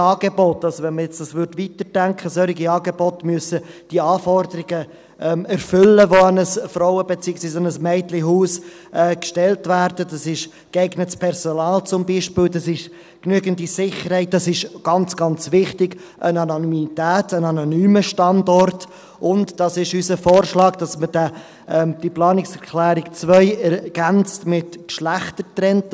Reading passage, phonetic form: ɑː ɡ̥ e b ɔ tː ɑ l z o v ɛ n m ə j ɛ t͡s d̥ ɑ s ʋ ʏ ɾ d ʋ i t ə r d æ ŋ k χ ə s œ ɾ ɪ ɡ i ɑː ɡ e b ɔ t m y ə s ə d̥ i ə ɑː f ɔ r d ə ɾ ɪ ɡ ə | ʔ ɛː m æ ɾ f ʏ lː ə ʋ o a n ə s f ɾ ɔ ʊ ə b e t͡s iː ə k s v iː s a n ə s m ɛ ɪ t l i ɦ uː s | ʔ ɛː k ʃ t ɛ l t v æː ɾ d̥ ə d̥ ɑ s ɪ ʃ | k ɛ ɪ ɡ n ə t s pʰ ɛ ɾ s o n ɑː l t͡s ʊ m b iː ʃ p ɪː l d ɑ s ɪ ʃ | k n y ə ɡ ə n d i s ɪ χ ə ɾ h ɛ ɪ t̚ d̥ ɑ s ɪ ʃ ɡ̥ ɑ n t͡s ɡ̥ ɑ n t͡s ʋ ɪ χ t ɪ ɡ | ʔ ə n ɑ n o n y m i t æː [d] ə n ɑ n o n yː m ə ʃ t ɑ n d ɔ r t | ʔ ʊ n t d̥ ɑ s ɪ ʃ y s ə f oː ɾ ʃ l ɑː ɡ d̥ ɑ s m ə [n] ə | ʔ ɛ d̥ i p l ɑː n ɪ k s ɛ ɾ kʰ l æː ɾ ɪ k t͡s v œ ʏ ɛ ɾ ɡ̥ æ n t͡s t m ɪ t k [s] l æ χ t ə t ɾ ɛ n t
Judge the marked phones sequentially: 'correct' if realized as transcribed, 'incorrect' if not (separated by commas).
incorrect, incorrect, incorrect